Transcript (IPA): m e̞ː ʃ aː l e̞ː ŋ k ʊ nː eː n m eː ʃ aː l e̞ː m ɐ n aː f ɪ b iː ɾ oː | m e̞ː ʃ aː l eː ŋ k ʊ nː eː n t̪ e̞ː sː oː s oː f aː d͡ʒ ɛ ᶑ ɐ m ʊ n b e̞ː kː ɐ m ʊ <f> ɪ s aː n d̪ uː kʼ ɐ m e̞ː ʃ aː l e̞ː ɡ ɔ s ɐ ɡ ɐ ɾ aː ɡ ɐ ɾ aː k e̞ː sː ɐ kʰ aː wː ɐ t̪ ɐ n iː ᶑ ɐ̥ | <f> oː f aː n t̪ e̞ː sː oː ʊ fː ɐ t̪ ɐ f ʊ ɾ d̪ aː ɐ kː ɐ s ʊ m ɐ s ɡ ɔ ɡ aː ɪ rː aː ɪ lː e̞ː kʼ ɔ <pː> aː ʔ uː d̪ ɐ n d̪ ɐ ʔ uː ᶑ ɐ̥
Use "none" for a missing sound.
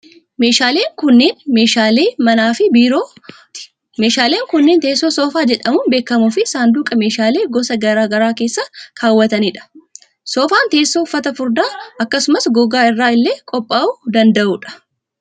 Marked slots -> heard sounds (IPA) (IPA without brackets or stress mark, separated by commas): f, s, pʼː